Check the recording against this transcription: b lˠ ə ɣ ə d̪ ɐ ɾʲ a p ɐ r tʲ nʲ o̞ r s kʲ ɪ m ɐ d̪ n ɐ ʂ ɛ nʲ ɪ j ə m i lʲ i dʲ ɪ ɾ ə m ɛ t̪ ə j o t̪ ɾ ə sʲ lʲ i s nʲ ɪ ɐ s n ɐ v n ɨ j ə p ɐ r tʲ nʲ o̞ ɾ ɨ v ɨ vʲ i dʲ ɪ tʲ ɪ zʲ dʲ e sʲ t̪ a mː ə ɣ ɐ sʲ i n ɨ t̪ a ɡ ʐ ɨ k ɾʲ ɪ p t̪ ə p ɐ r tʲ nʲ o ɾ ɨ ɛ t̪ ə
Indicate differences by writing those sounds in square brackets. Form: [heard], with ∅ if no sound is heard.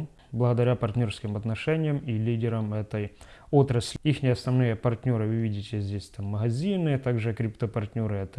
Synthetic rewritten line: b lˠ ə ɣ ə d̪ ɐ ɾʲ a p ɐ r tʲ nʲ o̞ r s kʲ ɪ m ɐ [t̪] n ɐ ʂ ɛ nʲ ɪ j ə m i lʲ i dʲ ɪ ɾ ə m ɛ t̪ ə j o t̪ ɾ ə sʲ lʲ i [x] nʲ ɪ ɐ s n ɐ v n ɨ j ə p ɐ r tʲ nʲ o̞ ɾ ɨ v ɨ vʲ i dʲ ɪ tʲ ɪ zʲ dʲ e sʲ t̪ a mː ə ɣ ɐ [zʲ] i n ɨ t̪ a ɡ ʐ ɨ k ɾʲ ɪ p t̪ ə p ɐ r tʲ nʲ o ɾ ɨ ɛ t̪ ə